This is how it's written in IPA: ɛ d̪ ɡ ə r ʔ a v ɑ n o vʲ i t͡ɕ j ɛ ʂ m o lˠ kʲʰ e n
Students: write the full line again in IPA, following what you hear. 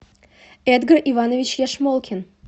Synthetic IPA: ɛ d̪ ɡ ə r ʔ i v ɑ n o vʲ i t͡ɕ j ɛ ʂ m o lˠ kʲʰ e n

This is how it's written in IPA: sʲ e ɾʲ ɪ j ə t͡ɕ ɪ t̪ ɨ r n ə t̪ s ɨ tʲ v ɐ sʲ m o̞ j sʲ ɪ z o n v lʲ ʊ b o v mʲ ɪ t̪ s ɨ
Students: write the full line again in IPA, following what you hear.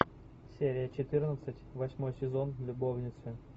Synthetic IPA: sʲ e ɾʲ ɪ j ə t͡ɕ ɪ t̪ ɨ r n ə t̪ s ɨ tʲ v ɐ sʲ m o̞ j sʲ ɪ z o n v lʲ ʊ b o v nʲ ɪ t̪ s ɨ

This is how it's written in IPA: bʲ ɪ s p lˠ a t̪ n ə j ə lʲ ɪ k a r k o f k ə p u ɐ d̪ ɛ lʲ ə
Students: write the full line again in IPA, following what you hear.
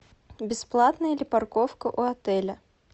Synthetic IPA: bʲ ɪ s p lˠ a t̪ n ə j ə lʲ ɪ p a r k o f k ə ʔ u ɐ t̪ ɛ lʲ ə

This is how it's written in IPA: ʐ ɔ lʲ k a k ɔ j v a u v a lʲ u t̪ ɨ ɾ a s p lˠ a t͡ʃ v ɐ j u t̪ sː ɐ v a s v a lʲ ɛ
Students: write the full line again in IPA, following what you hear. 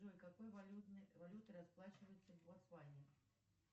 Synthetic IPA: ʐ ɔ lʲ k a k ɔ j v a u v a lʲ u t̪ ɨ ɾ a s p lˠ a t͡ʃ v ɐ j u t̪ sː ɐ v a s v a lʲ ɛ

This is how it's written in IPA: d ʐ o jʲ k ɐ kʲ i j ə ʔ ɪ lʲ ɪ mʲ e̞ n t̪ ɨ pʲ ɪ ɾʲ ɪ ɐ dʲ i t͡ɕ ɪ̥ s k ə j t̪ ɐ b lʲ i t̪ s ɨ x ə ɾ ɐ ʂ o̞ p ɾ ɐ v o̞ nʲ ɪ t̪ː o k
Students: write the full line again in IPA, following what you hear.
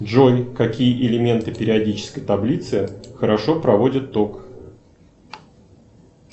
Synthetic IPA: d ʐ o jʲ k ɐ kʲ i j ə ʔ ɪ lʲ ɪ mʲ e̞ n t̪ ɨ pʲ ɪ ɾʲ ɪ ɐ dʲ i t͡ɕ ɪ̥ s k ə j t̪ ɐ b lʲ i t̪ s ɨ x ə ɾ ɐ ʂ o̞ p ɾ ɐ v o̞ dʲ ɪ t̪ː o k

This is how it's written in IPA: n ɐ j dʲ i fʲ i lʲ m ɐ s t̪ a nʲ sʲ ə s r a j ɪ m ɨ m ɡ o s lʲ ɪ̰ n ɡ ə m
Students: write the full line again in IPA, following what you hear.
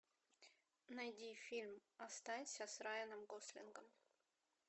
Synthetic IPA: n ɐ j dʲ i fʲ i lʲ m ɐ s t̪ a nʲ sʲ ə s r a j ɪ n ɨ m ɡ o s lʲ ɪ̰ n ɡ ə m

